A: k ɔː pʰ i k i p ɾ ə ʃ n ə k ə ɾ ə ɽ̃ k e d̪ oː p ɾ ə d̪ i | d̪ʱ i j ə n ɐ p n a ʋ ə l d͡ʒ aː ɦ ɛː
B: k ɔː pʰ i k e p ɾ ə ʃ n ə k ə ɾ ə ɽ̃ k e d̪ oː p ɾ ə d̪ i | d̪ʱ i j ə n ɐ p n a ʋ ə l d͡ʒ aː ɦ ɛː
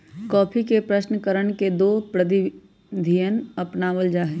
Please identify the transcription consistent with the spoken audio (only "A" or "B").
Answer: B